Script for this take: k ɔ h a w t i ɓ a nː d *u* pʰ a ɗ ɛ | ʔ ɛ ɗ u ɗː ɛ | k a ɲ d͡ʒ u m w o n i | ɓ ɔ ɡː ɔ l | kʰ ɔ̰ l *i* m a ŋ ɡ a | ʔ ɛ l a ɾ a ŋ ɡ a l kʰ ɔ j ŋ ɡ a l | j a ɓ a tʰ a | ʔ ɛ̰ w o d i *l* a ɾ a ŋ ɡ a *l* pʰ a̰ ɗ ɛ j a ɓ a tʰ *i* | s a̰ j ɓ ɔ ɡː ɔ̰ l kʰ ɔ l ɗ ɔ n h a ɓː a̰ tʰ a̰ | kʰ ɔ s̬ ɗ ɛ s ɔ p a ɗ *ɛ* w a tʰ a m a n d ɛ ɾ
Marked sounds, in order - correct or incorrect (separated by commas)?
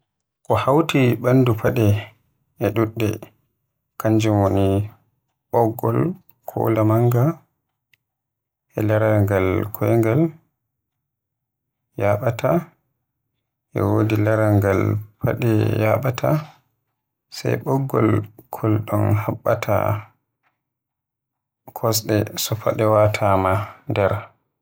correct, incorrect, correct, correct, incorrect, correct